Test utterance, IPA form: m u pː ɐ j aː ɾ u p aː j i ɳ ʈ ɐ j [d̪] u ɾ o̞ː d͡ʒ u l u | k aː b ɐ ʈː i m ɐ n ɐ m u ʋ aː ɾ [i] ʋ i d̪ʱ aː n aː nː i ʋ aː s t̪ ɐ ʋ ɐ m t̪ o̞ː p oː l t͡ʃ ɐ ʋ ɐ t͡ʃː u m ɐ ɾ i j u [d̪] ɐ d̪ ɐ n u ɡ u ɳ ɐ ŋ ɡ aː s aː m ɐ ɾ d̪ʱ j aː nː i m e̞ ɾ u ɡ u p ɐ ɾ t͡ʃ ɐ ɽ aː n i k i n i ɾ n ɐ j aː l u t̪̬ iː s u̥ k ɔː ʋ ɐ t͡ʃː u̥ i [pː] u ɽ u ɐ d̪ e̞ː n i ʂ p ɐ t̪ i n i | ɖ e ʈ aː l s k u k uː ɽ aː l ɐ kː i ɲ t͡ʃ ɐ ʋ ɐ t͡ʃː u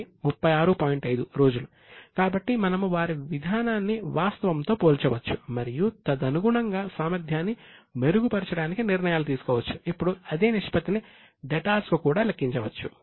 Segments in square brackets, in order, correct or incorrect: correct, correct, incorrect, correct

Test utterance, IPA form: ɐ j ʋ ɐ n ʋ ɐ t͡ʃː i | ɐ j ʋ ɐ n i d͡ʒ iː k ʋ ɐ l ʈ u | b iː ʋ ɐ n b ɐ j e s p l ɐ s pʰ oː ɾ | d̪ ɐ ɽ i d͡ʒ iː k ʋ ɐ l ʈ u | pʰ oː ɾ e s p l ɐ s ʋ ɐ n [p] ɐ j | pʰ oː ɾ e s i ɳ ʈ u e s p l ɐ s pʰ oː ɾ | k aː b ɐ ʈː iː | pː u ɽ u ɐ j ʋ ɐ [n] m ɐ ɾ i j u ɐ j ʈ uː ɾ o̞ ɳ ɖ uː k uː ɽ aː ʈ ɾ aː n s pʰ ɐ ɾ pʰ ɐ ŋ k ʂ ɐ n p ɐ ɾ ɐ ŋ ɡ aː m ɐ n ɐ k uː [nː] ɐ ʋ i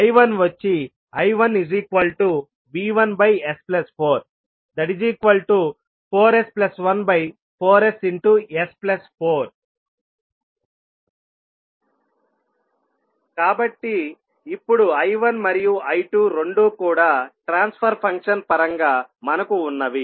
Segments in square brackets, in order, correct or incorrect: incorrect, correct, correct

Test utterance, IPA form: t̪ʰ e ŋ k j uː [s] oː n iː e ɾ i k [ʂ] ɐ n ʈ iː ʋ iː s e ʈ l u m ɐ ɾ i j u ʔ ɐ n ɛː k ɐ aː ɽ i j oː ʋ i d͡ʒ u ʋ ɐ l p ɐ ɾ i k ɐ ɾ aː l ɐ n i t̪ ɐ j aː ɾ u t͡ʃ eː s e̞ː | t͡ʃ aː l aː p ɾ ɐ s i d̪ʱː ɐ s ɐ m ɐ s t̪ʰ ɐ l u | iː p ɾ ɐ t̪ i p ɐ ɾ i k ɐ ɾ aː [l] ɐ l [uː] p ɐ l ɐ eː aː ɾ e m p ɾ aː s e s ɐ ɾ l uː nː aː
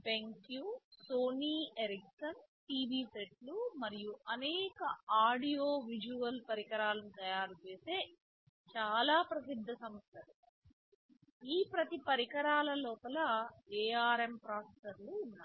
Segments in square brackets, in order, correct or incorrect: correct, incorrect, correct, incorrect

